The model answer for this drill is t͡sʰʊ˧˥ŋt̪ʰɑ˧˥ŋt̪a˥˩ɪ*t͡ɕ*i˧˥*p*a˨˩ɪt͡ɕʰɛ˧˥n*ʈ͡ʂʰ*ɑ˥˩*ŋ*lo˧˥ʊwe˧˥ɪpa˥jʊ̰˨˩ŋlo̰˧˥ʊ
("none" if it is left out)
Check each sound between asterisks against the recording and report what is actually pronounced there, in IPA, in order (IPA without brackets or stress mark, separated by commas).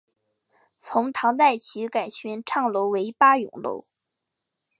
t͡ɕʰ, k, ʈ͡ʂʰ, ŋ